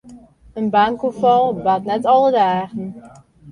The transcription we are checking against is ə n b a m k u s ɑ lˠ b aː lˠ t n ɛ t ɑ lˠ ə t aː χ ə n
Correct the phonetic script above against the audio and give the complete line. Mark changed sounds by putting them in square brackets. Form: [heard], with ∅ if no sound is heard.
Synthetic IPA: ə n b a [ŋ] k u [f] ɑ lˠ b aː [∅] t n ɛ t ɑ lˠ ə [d] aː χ ə n

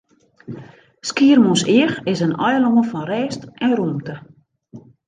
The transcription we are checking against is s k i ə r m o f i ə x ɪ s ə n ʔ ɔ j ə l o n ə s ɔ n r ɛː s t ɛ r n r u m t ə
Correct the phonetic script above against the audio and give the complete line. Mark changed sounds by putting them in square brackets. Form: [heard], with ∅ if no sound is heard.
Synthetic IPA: s k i ə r m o [s] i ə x ɪ s ə n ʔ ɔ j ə l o [ŋ] ə [f] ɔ n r ɛː s t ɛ [∅] n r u m t ə

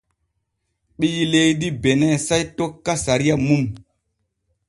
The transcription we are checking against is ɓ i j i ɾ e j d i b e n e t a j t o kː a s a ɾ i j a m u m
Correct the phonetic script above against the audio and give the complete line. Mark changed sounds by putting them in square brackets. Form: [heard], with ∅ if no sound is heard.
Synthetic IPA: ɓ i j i [l] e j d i b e n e [s] a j t o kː a s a ɾ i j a m u m

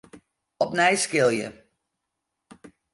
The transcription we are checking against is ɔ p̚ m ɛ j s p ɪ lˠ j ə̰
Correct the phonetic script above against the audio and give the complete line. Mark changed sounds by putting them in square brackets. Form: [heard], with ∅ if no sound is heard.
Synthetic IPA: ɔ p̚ [n] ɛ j s [k] ɪ lˠ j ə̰

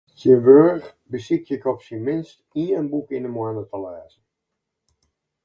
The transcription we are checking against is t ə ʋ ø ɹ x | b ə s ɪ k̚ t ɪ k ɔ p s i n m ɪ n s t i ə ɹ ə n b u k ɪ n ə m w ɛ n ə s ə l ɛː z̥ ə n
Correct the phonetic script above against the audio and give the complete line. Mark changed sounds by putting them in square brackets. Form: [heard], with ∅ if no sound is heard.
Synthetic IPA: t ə ʋ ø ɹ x | b ə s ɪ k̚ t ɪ k ɔ p s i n m ɪ n s t i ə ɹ ə n b u k ɪ n ə m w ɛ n ə [t] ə l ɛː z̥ ə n

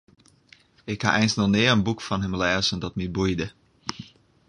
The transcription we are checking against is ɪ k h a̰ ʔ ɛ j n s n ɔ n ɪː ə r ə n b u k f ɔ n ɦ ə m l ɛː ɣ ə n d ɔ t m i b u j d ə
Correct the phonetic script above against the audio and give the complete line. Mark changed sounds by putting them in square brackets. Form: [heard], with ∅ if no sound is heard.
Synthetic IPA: ɪ k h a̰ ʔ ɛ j n s n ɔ n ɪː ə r ə n b u k f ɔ n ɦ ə m l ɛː [z] ə n d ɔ t m i b u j d ə

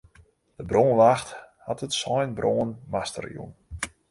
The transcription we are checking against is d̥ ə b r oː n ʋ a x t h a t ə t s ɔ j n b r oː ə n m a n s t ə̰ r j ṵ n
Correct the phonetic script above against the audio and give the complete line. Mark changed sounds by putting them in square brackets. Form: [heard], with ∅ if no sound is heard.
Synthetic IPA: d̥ ə b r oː n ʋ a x t h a t ə t s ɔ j n b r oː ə n m a [∅] s t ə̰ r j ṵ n

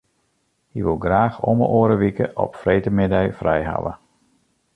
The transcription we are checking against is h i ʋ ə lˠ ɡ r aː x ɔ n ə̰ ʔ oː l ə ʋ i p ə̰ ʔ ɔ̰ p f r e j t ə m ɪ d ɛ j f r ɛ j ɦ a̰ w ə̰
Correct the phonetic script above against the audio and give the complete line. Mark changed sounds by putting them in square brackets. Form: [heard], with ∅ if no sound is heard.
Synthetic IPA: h i ʋ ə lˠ ɡ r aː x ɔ [m] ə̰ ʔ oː [ɾ] ə ʋ i [k] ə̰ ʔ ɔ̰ p f r e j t ə m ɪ d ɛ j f r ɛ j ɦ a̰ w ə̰

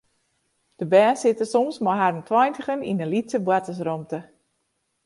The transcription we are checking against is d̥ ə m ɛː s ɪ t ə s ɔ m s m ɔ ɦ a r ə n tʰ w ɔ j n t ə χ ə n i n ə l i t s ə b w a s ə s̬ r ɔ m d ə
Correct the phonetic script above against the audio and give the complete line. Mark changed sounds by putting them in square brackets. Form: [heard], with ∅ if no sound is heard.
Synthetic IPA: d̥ ə [b] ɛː s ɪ t ə s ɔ m s m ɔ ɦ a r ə n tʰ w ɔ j n t ə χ ə n i n ə l i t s ə b w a [t] ə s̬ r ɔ m [t] ə

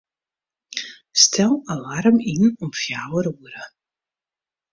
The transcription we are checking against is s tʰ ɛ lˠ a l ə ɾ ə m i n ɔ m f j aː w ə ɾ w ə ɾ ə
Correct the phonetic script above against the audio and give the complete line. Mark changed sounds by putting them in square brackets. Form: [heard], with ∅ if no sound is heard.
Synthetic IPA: s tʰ ɛ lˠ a l [a] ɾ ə m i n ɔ m f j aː w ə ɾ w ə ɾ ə

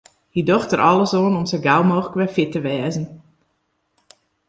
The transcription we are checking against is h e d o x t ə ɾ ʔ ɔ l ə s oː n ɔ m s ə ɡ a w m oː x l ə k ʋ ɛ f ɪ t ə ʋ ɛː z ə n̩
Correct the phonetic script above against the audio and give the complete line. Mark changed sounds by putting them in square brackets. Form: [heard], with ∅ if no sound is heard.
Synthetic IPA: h [i] d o x t ə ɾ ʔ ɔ l ə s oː n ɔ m s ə ɡ a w m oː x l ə k ʋ ɛ f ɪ t ə ʋ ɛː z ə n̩

